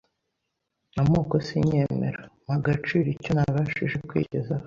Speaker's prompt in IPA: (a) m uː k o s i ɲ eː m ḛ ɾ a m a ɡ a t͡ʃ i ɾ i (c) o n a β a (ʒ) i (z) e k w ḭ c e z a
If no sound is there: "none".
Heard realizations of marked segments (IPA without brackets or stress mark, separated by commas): a, c, ʃ, ʒ